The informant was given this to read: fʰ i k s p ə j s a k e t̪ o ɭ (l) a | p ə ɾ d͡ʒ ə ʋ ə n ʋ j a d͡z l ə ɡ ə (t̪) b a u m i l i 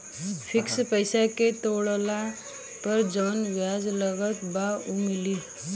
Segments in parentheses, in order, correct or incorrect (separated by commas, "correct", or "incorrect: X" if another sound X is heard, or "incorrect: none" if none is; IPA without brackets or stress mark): correct, correct